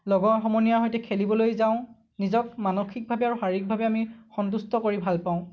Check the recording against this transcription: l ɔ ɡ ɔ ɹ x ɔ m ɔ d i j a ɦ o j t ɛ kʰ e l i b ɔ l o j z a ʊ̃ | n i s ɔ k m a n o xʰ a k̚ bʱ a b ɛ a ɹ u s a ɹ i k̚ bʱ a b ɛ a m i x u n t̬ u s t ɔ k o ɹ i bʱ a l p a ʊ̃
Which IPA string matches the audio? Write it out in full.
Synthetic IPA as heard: l ɔ ɡ ɔ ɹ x ɔ m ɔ n i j a ɦ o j t ɛ kʰ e l i b ɔ l o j z a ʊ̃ | n i z ɔ k m a n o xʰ i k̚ bʱ a b ɛ a ɹ u x a ɹ i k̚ bʱ a b ɛ a m i x ɔ n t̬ u s t ɔ k o ɹ i bʱ a l p a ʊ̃